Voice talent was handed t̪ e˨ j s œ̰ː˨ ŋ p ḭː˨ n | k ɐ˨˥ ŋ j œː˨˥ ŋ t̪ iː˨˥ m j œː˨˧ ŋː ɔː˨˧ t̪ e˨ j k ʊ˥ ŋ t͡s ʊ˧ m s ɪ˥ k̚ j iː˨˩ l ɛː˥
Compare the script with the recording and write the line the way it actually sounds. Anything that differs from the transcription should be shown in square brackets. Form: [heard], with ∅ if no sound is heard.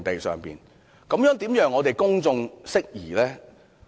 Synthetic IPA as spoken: t̪ e˨ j s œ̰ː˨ ŋ p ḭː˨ n | k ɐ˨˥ [m] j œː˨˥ ŋ t̪ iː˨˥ m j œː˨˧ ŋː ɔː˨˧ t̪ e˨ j k ʊ˥ ŋ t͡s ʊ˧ [ŋ] s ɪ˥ k̚ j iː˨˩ l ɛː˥